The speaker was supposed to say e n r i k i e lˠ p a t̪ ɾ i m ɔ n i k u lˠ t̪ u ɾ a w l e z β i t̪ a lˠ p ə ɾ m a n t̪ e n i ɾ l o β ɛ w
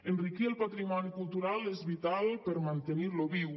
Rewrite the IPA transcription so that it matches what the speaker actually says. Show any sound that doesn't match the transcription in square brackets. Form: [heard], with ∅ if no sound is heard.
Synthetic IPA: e n r i k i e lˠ p a t̪ ɾ i m ɔ n i k u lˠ t̪ u ɾ a [∅] l e z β i t̪ a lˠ p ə ɾ m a n t̪ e n i ɾ l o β [i] w